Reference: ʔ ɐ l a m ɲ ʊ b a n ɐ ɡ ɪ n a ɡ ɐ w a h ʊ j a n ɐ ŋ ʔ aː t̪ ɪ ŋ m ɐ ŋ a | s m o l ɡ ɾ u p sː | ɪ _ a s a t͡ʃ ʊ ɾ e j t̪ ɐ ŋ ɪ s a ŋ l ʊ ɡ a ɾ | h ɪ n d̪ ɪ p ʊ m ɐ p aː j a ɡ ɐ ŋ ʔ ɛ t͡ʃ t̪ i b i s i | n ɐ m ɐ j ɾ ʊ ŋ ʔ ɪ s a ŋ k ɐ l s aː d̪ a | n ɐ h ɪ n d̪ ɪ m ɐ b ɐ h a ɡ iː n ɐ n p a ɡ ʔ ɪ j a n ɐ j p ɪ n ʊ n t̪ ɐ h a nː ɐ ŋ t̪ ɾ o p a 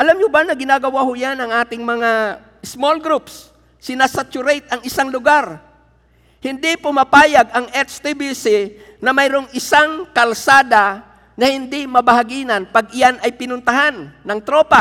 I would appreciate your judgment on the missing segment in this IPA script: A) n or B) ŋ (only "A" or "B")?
A